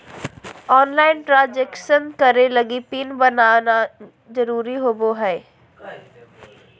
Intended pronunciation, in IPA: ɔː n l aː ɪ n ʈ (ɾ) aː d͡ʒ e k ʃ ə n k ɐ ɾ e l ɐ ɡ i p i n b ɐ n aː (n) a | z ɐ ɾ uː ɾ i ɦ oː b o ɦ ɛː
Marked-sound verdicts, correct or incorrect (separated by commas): correct, correct